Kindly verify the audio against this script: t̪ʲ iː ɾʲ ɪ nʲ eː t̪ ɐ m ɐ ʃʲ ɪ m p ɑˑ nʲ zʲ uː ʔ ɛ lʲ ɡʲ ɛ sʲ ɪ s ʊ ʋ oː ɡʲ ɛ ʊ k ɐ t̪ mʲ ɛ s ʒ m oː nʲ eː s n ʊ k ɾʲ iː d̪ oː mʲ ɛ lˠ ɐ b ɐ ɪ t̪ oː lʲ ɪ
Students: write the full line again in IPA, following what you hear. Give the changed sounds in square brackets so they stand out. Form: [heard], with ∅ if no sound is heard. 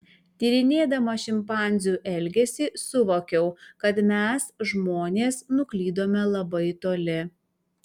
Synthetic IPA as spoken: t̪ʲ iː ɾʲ ɪ nʲ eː [d̪] ɐ m ɐ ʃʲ ɪ m p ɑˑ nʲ zʲ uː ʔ ɛ lʲ ɡʲ ɛ sʲ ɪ s ʊ ʋ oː [kʲ] ɛ ʊ k ɐ t̪ mʲ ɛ s ʒ m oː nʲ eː s n ʊ k [lʲ] iː d̪ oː mʲ ɛ lˠ ɐ b ɐ ɪ t̪ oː lʲ ɪ